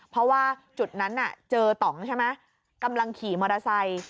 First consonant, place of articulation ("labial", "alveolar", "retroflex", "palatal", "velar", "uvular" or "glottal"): labial